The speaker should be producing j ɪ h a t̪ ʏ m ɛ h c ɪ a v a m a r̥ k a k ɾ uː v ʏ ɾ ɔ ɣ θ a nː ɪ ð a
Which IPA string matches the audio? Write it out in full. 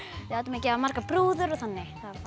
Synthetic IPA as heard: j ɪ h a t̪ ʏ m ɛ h c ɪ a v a m a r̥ k a p ɾ uː ð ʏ ɾ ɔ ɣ θ a nː ɪ θ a